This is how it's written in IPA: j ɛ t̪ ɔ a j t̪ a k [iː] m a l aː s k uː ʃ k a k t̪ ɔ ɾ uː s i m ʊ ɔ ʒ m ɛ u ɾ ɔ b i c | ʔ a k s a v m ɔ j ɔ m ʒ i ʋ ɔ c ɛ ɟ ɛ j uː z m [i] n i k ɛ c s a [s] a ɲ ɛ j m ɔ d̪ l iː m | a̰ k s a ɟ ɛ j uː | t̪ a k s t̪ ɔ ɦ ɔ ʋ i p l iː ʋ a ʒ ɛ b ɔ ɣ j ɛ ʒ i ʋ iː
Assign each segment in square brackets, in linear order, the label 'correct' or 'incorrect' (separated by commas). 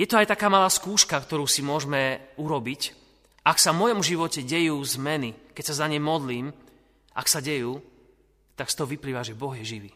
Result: incorrect, incorrect, incorrect